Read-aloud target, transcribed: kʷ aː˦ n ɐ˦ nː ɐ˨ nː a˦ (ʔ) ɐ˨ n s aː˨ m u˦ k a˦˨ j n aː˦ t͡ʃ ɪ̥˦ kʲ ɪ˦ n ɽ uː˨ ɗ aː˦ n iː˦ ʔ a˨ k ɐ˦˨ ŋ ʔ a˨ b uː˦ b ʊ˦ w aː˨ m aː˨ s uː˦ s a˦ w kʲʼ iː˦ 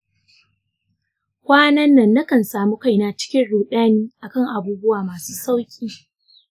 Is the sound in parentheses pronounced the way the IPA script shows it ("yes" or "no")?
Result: no